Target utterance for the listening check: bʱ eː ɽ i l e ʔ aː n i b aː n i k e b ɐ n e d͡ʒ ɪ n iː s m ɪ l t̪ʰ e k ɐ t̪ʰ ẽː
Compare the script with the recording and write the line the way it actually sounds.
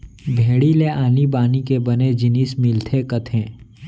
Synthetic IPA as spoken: bʱ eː ɽ i l e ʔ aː n i b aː n i k e b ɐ n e d͡ʒ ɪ n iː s m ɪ l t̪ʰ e k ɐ t̪ʰ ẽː